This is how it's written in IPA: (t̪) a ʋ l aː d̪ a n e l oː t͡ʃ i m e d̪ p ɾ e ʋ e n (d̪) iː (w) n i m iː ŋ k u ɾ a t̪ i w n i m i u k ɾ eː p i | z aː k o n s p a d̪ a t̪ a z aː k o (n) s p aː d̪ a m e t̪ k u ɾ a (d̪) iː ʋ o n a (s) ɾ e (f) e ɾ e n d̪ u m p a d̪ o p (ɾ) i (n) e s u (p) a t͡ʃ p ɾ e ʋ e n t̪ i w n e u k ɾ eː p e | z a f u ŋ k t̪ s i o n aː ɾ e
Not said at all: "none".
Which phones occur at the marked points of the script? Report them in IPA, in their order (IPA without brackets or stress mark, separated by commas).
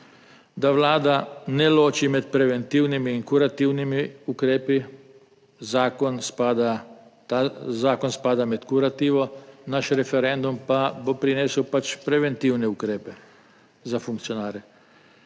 d̪, t̪, w, n, t̪, ʃ, f, ɾ, n, p